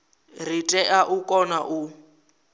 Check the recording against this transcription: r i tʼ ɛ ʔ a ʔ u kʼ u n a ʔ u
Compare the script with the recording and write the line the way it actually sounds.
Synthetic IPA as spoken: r i tʼ ɛ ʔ a ʔ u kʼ ɔ n a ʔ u